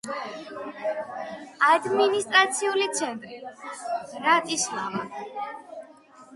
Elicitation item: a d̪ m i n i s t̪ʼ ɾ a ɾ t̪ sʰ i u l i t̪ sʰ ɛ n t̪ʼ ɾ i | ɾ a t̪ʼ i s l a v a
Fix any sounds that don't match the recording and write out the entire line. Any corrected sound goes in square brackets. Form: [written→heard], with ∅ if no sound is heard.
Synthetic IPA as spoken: a d̪ m i n i s t̪ʼ ɾ a [ɾ→∅] t̪ sʰ i u l i t̪ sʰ ɛ n t̪ʼ ɾ i | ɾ a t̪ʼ i s l a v a